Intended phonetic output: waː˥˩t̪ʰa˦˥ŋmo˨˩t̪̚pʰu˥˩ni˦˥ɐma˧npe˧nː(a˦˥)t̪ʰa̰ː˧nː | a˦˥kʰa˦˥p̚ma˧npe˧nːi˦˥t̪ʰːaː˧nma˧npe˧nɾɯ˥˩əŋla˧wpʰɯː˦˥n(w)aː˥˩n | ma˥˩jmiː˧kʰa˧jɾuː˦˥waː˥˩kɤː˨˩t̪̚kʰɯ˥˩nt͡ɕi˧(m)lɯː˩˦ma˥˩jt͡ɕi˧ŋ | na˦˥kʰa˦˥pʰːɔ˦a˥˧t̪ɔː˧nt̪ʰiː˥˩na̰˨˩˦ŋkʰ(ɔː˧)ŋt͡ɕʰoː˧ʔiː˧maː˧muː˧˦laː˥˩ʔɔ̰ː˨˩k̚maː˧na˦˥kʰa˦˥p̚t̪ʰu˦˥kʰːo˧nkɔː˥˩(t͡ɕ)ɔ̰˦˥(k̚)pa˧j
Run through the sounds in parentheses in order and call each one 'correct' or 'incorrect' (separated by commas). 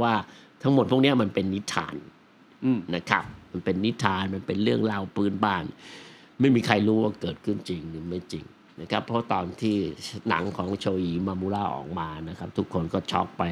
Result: incorrect, incorrect, incorrect, incorrect, incorrect, correct